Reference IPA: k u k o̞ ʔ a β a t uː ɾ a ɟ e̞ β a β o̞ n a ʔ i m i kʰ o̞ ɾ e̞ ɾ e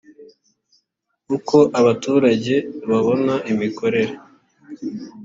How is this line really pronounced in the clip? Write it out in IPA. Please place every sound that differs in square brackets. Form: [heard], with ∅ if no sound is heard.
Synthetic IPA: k u k o̞ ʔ a β a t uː ɾ a ɟ e̞ β a β o̞ n a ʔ i m i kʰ o̞ ɾ e̞ ɾ e